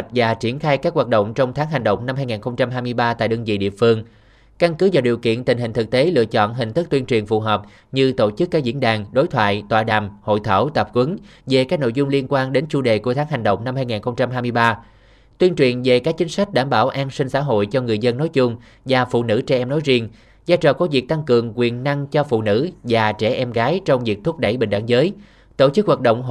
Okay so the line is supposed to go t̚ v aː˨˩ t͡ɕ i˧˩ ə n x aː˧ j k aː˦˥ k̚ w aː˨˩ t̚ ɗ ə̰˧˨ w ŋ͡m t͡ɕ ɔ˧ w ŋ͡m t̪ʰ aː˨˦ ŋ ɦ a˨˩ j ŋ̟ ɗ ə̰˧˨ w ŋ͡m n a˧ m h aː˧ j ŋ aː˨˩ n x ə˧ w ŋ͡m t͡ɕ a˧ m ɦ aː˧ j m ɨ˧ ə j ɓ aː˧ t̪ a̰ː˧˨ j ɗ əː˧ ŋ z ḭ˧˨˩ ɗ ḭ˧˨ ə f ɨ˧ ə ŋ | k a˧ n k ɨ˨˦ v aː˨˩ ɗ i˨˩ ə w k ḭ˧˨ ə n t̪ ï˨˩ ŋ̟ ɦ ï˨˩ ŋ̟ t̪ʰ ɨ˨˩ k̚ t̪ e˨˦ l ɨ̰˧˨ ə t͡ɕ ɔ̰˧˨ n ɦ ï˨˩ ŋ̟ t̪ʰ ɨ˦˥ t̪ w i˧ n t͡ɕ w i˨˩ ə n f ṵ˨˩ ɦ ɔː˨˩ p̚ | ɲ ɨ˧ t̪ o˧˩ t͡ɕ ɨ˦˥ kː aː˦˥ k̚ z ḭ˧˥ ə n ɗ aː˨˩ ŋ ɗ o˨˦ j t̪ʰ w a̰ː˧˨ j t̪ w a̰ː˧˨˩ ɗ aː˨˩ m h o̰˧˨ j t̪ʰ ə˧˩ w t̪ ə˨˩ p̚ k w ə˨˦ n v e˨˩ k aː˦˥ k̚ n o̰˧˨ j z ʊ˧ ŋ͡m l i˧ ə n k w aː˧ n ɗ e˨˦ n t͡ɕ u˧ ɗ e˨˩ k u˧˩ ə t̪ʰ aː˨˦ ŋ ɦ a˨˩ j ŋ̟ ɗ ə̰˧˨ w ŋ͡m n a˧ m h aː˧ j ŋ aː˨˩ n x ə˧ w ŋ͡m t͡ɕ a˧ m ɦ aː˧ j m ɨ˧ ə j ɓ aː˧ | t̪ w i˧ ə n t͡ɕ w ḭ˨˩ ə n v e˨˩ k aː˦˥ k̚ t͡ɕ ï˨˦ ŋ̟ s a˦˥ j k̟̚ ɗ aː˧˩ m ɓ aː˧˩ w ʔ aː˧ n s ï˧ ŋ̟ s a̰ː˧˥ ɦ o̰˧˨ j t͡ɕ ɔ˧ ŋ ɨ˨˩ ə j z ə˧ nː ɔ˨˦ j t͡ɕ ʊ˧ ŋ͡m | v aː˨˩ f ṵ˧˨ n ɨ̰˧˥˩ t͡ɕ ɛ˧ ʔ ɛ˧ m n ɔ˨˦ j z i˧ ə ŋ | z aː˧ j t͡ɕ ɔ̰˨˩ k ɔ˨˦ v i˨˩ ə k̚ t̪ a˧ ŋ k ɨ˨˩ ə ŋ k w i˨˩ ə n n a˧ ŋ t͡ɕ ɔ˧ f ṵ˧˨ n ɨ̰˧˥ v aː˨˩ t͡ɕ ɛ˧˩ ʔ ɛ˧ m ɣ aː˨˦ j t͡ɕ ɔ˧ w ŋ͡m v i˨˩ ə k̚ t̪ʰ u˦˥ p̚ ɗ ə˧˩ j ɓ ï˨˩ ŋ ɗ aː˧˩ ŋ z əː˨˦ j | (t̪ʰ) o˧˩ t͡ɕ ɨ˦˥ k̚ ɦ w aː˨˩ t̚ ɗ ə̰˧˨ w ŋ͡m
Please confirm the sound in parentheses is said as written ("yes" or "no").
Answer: no